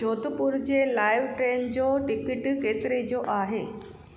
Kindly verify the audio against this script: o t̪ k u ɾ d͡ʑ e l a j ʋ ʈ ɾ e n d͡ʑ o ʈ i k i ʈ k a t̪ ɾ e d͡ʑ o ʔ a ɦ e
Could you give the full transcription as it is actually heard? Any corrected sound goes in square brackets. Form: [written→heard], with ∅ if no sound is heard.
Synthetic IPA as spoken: o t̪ [k→p] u ɾ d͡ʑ e l a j ʋ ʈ ɾ e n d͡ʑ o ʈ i k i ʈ k [a→e] t̪ ɾ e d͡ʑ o ʔ a ɦ e